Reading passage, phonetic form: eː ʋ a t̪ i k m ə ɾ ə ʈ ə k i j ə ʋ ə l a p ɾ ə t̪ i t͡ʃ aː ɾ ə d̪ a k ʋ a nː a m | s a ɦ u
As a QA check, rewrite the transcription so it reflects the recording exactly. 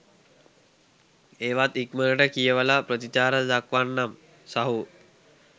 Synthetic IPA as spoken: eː ʋ a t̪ i k m ə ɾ ə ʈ ə k i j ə ʋ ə l a p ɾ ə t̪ i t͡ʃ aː ɾ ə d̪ a k ʋ a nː a m | s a ɦ u